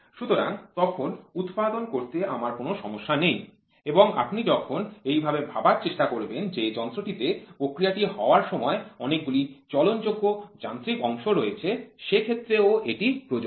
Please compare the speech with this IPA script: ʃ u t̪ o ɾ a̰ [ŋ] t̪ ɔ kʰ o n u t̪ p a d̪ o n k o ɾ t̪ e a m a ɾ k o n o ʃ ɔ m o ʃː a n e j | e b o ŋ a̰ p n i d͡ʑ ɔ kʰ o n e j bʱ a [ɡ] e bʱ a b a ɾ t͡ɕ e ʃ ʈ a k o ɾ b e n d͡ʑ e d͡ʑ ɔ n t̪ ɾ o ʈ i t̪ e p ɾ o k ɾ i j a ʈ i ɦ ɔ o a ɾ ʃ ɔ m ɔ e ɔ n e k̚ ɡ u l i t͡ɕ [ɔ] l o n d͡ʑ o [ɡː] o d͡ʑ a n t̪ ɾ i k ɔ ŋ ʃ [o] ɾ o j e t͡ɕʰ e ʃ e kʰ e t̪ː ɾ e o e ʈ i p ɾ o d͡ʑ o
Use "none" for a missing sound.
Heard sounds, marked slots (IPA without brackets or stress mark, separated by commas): ŋ, b, ɔ, ɡː, o